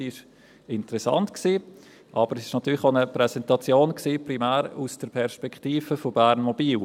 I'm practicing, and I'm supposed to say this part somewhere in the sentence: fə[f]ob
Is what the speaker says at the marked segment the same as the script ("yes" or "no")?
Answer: yes